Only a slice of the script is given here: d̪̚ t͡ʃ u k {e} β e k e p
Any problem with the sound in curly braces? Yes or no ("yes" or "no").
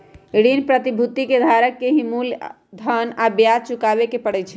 yes